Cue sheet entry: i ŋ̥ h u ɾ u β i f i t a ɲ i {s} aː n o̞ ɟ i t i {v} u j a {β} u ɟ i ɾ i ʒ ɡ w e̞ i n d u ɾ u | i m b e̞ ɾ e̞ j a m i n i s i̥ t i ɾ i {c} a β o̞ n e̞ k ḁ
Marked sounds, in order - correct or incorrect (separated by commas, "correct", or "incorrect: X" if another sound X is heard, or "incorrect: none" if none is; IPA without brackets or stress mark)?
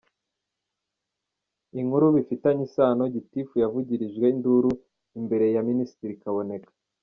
correct, incorrect: f, incorrect: v, incorrect: k